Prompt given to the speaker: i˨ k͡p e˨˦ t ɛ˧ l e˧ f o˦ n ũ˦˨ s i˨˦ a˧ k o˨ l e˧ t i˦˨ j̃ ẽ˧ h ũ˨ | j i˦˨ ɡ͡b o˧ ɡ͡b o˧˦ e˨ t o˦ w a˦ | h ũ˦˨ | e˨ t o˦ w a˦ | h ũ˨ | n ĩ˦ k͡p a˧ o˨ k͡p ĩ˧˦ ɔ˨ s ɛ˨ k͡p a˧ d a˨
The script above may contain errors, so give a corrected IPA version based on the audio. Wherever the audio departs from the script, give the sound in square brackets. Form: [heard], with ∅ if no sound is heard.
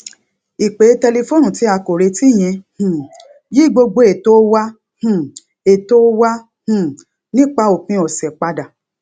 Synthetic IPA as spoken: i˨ k͡p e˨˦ t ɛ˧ l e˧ f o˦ n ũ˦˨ [t] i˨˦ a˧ k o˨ [ɾ] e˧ t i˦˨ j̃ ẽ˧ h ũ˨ | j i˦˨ ɡ͡b o˧ ɡ͡b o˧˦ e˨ t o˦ w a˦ | h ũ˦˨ | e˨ t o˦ w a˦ | h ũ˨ | n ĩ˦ k͡p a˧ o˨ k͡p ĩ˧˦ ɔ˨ s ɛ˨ k͡p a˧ d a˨